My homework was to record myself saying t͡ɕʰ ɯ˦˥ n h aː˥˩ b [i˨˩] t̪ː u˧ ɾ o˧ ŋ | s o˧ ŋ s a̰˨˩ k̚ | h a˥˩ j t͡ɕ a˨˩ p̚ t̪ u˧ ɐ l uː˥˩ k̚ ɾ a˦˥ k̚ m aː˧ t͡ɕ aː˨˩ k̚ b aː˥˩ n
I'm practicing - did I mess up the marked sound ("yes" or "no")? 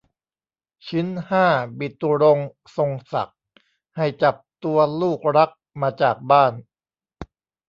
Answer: no